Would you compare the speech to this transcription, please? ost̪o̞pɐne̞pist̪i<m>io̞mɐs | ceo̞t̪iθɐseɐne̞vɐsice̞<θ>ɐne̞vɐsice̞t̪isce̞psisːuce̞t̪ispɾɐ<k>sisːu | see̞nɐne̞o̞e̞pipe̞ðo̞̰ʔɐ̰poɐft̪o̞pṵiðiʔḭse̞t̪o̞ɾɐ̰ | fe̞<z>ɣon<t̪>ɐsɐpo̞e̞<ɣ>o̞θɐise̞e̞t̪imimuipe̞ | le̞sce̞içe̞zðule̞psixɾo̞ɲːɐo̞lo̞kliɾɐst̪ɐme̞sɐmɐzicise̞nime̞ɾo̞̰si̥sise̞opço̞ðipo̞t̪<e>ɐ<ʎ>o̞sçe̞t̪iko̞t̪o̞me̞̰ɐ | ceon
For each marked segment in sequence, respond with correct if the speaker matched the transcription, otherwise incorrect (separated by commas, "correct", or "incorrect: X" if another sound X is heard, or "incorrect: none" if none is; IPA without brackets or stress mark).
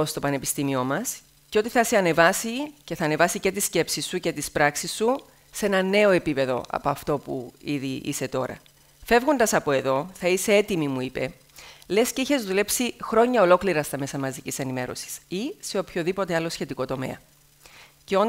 correct, correct, correct, incorrect: v, incorrect: d̪, incorrect: ð, correct, incorrect: l